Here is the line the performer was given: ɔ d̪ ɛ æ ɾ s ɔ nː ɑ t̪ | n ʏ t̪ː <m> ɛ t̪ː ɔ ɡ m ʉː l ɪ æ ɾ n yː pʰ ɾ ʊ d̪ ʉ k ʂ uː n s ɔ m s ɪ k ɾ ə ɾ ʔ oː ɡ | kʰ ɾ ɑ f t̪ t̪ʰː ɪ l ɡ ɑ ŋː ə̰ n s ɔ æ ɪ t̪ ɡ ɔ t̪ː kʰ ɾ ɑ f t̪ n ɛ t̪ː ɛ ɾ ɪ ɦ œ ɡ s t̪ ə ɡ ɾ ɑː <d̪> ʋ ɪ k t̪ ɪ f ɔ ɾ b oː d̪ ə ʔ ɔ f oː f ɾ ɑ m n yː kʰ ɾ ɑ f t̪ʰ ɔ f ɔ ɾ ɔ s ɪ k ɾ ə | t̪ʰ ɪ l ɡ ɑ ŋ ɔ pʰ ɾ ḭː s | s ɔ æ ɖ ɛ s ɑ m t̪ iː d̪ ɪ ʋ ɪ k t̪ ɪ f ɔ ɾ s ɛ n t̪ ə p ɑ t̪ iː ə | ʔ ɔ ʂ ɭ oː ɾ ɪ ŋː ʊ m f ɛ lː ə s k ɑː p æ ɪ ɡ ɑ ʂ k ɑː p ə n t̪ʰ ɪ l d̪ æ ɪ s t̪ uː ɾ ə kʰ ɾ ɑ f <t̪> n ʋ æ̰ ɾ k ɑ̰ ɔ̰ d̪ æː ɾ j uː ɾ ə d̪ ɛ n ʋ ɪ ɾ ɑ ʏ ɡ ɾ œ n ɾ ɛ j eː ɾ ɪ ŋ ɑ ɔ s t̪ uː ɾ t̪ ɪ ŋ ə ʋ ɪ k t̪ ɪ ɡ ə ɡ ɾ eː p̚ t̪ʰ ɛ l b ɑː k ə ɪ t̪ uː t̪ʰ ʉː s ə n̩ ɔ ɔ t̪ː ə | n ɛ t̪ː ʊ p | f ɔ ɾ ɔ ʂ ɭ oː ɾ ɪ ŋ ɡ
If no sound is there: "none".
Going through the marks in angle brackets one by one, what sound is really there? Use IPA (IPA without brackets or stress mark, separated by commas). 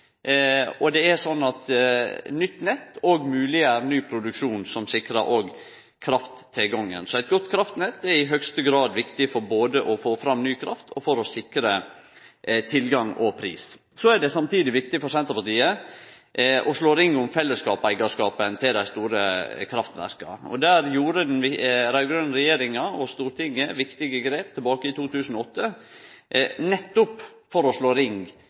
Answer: n, d̪, t̪